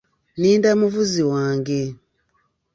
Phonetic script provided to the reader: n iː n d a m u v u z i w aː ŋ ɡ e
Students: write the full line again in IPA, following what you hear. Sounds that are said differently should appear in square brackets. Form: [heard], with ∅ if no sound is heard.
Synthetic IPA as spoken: n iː n d a m u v u z i w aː ŋ ɡ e